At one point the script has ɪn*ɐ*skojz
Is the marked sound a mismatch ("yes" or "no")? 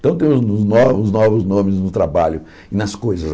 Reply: no